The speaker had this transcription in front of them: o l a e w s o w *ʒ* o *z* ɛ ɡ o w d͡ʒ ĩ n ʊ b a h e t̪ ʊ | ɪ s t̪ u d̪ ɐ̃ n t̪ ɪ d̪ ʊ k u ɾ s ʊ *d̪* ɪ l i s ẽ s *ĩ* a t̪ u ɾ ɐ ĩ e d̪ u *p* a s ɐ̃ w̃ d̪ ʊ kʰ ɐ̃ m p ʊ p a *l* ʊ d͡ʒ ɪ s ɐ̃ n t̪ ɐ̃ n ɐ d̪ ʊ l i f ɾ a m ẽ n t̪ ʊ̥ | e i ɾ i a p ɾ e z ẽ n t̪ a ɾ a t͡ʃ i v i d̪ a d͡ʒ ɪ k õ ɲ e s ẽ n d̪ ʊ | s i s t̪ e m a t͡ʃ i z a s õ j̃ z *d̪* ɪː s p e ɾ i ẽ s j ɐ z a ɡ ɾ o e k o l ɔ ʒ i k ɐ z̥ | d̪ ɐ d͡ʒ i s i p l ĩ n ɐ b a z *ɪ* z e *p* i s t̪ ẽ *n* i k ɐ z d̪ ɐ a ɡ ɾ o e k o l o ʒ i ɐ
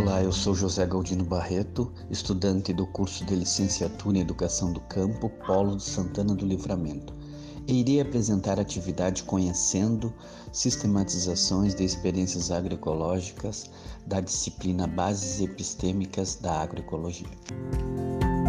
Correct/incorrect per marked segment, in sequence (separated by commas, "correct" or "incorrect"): correct, correct, correct, incorrect, incorrect, correct, correct, correct, correct, incorrect